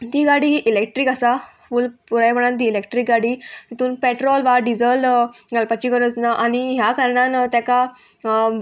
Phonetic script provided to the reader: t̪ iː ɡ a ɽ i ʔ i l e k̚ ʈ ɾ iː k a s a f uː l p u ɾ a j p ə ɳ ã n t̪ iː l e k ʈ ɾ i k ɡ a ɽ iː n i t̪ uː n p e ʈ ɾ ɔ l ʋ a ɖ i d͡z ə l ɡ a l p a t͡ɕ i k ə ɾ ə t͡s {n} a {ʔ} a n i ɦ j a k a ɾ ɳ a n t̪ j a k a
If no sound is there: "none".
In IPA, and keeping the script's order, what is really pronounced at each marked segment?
n, ʔ

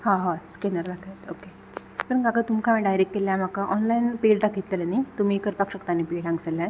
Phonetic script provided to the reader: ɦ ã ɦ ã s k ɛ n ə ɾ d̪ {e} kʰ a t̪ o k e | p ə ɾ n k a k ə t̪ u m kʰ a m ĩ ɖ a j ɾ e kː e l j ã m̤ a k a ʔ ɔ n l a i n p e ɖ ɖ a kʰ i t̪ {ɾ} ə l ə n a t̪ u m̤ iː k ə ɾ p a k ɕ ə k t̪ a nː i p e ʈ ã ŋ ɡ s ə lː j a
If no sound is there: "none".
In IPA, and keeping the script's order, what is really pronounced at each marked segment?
a, l

